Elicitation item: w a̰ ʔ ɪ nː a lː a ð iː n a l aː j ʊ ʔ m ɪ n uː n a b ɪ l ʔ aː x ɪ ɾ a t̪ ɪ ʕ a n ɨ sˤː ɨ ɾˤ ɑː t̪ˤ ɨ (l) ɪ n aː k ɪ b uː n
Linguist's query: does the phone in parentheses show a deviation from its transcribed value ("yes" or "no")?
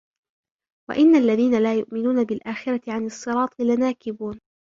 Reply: no